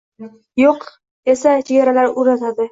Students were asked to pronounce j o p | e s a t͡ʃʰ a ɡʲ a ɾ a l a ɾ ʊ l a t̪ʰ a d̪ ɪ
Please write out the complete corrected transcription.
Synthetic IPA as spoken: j o q | e s a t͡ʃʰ e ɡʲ a ɾ a l a ɾ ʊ ɾ a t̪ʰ a d̪ ɪ